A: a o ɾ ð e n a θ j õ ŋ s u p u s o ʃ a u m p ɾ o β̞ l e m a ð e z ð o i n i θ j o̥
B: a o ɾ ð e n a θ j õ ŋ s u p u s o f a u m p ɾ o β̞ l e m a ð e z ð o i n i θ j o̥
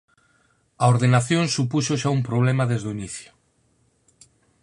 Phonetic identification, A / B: A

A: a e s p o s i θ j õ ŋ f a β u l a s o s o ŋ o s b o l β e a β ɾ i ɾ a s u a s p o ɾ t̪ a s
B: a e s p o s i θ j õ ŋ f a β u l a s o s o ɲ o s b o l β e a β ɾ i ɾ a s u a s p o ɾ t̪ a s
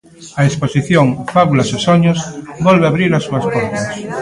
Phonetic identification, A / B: B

